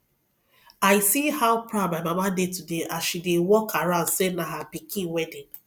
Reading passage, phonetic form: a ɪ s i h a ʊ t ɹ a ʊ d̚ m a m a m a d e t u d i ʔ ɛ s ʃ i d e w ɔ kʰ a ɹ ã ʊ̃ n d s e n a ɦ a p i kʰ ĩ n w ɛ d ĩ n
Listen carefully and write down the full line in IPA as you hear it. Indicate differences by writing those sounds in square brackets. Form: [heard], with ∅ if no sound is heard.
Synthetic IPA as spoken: a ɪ s i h a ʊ [p] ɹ a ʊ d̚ m a m a m a d e t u d [e] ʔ [a] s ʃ i d e w ɔ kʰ a ɹ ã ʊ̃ n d s e n a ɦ a p i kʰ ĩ n w ɛ d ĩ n